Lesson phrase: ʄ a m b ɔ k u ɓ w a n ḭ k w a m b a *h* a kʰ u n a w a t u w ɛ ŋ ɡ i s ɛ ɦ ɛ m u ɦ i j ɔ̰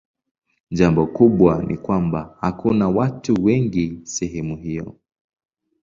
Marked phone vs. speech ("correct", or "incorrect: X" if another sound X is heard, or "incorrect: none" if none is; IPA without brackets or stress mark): correct